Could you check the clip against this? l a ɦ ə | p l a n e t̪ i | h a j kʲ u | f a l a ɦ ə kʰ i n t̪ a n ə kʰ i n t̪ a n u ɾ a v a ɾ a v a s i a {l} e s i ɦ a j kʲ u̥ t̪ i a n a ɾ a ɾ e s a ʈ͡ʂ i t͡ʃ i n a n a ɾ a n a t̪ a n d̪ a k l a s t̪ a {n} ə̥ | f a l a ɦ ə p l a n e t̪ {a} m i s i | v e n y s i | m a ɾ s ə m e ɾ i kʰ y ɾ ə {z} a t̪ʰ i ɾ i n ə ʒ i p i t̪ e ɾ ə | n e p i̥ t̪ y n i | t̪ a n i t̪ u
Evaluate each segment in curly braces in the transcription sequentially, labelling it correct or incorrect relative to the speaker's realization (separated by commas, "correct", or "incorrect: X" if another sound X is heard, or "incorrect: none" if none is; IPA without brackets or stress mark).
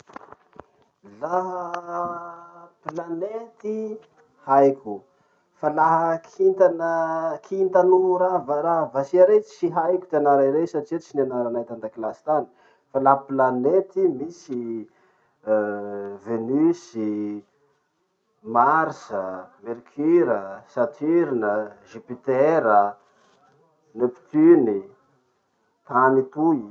incorrect: ɾ, correct, incorrect: i, incorrect: s